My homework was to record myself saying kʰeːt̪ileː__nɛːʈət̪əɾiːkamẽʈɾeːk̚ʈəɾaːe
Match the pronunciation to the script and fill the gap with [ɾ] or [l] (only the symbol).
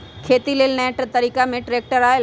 l